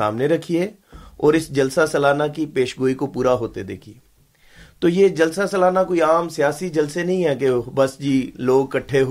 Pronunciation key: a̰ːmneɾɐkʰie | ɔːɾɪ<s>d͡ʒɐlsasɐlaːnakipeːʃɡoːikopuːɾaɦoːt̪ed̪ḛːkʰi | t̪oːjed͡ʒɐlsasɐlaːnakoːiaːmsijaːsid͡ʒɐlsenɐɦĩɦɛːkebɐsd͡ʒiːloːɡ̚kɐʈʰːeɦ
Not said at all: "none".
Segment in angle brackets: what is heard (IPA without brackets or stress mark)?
s